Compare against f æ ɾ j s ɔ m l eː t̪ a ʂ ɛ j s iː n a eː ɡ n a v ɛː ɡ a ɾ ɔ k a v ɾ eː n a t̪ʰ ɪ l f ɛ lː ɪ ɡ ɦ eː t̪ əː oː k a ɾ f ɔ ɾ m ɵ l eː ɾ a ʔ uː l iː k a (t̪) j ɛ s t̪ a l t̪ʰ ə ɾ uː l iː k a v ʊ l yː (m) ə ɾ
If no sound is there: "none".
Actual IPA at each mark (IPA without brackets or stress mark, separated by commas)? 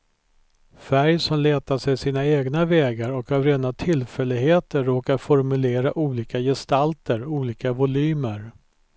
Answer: none, m